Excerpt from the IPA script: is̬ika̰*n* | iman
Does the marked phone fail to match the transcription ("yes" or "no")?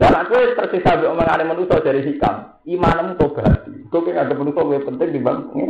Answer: yes